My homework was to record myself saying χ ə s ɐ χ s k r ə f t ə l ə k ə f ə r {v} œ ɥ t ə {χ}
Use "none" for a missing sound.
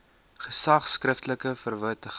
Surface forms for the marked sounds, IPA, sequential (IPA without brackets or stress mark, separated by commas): v, χ